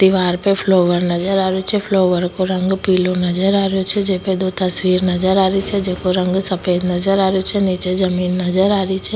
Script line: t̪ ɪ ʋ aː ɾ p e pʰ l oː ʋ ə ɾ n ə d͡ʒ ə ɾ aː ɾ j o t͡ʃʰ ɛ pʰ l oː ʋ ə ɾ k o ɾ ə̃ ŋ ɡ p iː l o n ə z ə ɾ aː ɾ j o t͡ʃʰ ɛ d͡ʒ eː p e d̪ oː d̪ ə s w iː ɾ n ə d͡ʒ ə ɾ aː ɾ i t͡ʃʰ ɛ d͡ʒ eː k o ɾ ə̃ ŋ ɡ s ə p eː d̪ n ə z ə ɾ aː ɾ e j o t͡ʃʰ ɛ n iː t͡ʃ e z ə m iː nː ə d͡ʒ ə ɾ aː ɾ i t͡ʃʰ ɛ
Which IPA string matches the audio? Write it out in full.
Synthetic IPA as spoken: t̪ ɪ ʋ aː ɾ p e pʰ l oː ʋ ə ɾ n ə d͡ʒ ə ɾ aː ɾ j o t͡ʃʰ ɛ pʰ l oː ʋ ə ɾ k o ɾ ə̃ ŋ ɡ p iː l o n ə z ə ɾ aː ɾ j o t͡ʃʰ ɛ d͡ʒ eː p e d̪ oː t̪ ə s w iː ɾ n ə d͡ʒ ə ɾ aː ɾ i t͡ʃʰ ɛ d͡ʒ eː k o ɾ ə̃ ŋ ɡ s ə p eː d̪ n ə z ə ɾ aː ɾ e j o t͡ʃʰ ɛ n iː t͡ʃ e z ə m iː nː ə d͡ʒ ə ɾ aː ɾ i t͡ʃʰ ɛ